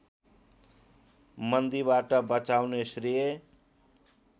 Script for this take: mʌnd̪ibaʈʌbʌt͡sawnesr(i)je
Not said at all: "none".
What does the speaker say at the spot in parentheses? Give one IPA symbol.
i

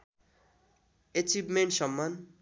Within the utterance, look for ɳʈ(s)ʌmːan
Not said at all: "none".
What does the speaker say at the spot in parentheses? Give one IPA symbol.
s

